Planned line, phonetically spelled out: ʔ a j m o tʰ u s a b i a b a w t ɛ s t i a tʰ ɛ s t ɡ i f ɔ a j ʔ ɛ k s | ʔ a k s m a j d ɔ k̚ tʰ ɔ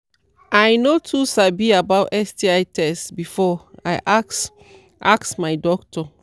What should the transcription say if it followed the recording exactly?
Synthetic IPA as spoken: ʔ a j n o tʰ u s a b i a b a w t ɛ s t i a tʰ ɛ s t b i f ɔ a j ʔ a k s | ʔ a k s m a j d ɔ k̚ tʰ ɔ